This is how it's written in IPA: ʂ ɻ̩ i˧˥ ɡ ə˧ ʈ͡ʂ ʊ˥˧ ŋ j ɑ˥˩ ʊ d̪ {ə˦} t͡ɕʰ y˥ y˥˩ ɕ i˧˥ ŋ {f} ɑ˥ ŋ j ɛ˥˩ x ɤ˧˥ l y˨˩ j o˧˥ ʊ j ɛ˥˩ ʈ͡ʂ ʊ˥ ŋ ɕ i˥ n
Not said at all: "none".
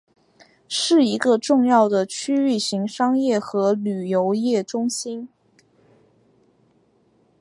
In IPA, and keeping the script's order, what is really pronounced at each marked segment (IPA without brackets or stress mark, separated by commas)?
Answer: ə˩, ʂ